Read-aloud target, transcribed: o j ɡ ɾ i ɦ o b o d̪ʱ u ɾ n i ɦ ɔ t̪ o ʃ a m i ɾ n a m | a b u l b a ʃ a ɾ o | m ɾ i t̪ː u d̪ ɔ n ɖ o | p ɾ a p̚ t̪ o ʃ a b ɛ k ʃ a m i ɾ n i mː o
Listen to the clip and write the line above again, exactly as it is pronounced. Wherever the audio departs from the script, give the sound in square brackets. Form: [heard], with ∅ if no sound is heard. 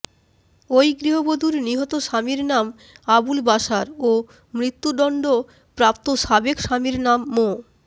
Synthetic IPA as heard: o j ɡ ɾ i ɦ o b o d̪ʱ u ɾ n i ɦ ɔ t̪ o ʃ a m i ɾ n a m | a b u l b a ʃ a ɾ o | m ɾ i t̪ː u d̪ ɔ [ɳ] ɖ o | p ɾ a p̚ t̪ o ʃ a b [e] k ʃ a m i ɾ n [a] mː o